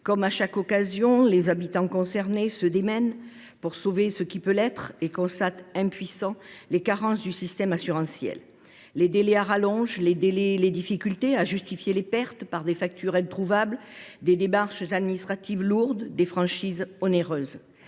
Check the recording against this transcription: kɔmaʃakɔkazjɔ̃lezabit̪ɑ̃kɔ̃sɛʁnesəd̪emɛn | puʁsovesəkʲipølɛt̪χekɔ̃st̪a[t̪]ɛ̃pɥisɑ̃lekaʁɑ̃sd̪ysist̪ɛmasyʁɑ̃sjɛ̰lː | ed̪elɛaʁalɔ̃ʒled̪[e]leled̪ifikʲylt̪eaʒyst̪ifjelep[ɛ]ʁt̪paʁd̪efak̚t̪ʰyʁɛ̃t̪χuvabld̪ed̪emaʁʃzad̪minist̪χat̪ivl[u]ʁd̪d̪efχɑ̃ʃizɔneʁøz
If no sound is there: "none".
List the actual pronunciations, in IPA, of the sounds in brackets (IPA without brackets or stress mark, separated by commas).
t̪, e, ɛ, u